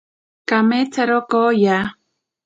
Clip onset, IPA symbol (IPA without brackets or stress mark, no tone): k